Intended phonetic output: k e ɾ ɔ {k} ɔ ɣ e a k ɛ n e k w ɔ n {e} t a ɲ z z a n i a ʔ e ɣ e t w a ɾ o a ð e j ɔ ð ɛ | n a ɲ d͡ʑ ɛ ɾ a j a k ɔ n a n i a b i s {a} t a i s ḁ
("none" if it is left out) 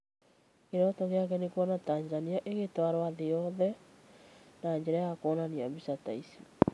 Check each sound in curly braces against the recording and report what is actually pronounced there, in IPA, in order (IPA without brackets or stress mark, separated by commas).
t, a, a